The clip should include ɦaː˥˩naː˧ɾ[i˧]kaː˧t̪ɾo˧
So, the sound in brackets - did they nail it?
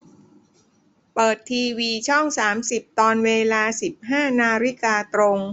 no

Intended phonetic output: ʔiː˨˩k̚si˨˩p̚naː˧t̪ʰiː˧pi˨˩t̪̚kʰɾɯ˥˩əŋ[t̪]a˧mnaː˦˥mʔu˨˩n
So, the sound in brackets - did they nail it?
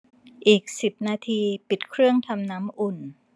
no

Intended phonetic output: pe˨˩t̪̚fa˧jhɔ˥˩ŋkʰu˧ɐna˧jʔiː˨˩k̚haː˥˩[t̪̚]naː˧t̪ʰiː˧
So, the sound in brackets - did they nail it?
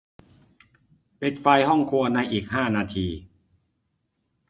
no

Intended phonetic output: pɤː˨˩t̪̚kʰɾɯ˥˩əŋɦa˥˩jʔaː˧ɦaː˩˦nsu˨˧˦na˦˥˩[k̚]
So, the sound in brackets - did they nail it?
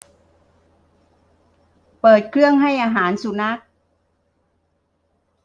yes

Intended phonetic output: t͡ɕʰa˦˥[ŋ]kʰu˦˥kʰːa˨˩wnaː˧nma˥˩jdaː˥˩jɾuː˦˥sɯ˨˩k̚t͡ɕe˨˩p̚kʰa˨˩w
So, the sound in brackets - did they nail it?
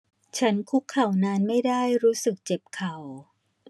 no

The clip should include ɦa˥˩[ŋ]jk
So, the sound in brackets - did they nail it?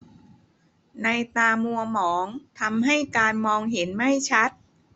no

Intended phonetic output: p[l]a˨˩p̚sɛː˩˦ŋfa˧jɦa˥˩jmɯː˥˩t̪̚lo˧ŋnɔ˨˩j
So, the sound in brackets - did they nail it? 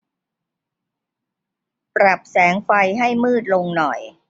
no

